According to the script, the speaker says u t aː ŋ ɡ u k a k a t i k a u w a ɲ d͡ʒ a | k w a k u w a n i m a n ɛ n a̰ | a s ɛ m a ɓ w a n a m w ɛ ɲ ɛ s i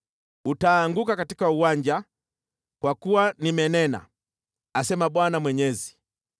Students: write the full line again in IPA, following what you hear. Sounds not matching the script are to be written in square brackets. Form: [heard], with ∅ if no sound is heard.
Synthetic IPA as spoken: u t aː ŋ ɡ u k a k a t i k a u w a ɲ d͡ʒ a | k w a k u w a n i m [ɛ] n ɛ n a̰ | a s ɛ m a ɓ w a n a m w ɛ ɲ ɛ [z] i